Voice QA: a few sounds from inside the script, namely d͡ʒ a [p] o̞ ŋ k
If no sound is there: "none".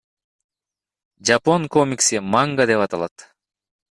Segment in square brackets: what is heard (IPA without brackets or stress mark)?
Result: p